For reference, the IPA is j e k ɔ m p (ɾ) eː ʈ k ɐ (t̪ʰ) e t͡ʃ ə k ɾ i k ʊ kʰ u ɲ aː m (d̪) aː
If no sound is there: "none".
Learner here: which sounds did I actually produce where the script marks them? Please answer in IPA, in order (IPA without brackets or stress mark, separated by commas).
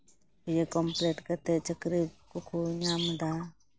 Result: l, t̪, d̪